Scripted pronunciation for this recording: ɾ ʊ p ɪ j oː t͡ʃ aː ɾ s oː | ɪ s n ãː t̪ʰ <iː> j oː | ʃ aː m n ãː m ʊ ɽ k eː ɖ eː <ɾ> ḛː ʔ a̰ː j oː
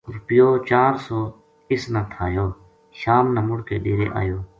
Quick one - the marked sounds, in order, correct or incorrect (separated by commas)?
incorrect, correct